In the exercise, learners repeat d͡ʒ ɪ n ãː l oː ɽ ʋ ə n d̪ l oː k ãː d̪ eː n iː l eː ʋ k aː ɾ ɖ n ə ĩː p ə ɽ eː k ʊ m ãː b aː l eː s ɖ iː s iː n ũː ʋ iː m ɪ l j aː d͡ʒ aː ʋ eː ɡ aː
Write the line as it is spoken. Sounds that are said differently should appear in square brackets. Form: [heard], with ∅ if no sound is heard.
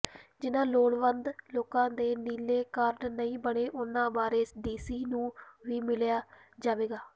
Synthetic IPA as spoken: d͡ʒ ɪ n ãː l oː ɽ ʋ ə n d̪ l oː k ãː d̪ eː n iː l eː [∅] k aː ɾ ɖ n ə ĩː [b] ə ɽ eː [ʔ] ʊ [n] ãː b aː [ɾ] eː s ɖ iː s iː n ũː ʋ iː m ɪ l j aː d͡ʒ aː ʋ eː ɡ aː